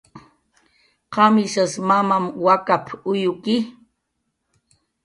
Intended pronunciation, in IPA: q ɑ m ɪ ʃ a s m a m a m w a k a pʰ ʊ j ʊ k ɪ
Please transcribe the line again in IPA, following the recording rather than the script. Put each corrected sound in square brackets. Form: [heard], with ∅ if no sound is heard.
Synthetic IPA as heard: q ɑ m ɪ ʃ a s m a m a m w a k a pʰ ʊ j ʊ k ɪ